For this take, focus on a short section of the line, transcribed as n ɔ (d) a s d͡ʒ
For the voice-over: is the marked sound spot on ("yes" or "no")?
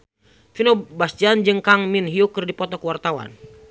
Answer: no